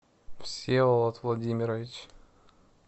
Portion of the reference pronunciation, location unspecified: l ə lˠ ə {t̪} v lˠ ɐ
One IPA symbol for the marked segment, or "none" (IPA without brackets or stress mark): t̪